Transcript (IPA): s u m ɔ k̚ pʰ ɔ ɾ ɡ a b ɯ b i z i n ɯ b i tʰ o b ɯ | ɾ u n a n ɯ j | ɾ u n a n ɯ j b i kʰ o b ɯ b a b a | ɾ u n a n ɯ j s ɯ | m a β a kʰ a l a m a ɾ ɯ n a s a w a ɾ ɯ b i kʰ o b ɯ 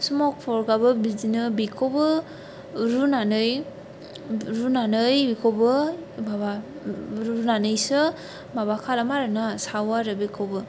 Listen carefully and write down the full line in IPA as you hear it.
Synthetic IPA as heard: s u m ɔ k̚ pʰ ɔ ɾ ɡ a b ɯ b i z i n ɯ b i kʰ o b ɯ | ɾ u n a n ɯ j | ɾ u n a n ɯ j b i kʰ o b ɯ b a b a | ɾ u n a n ɯ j s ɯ | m a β a kʰ a l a m a ɾ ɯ n a s a w a ɾ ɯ b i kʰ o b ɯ